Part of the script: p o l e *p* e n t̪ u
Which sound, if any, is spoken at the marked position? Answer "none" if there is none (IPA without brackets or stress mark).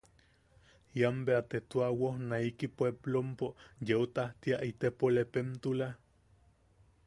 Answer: p